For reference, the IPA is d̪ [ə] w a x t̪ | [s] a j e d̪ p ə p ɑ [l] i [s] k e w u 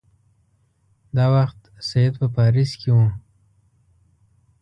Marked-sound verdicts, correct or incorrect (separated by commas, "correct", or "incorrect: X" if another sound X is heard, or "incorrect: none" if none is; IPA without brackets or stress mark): incorrect: ɑ, correct, incorrect: ɾ, correct